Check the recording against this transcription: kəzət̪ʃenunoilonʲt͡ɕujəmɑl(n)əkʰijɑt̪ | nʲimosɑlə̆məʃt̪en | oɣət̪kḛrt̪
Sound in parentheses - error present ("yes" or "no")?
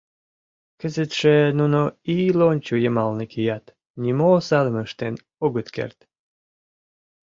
no